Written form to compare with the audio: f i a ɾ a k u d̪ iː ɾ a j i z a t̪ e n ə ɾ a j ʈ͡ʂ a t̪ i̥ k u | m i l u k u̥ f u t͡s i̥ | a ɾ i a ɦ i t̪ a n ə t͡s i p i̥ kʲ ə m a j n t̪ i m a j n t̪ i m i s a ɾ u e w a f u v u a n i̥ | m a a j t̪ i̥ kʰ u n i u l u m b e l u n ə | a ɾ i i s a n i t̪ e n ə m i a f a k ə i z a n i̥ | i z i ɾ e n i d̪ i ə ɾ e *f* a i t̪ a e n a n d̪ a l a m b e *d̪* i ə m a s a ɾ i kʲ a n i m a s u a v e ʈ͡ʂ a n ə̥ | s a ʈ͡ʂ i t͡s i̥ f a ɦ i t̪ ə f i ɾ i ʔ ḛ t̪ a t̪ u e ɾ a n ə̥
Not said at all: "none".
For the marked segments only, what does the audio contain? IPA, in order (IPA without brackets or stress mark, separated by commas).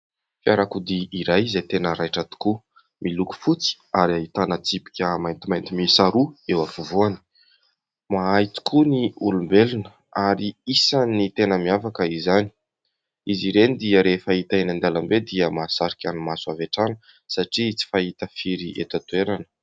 f, d̪